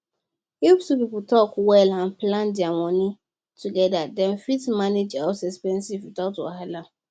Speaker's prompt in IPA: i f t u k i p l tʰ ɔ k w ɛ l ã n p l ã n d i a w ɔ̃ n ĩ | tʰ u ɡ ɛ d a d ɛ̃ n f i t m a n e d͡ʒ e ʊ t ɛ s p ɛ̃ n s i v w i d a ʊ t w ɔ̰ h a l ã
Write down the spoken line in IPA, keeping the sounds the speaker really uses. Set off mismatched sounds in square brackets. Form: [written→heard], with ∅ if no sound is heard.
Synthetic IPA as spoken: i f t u [k→p] i p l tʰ ɔ k w ɛ l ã n p l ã n d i a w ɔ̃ n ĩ | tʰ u ɡ ɛ d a d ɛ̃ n f i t m a n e d͡ʒ [e→a] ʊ [t→s] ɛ s p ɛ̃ n s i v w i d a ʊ t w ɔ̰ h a l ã